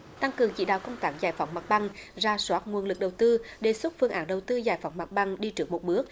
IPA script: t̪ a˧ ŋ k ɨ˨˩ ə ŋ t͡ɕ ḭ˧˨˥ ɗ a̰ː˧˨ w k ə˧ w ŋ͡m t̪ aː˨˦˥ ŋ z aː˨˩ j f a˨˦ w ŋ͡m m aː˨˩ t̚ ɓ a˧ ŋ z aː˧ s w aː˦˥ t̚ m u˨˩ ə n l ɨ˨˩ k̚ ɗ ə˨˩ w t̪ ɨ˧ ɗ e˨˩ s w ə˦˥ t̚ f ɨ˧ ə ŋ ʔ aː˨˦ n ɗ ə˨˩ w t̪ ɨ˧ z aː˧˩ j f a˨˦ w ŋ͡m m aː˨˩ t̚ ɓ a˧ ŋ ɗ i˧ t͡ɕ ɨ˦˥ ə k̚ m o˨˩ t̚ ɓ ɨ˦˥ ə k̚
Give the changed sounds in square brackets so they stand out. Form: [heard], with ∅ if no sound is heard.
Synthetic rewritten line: t̪ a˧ ŋ k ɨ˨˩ ə ŋ t͡ɕ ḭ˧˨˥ ɗ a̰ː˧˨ w k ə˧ w ŋ͡m t̪ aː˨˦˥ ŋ z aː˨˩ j f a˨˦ w ŋ͡m m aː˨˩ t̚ ɓ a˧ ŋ z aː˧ s w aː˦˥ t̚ [ŋ] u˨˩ ə n l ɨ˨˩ k̚ ɗ ə˨˩ w t̪ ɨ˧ ɗ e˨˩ s w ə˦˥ t̚ f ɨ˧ ə ŋ ʔ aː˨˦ n ɗ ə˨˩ w t̪ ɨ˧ z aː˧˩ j f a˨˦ w ŋ͡m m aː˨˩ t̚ ɓ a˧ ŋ ɗ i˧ t͡ɕ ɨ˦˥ ə k̚ m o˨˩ t̚ ɓ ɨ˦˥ ə k̚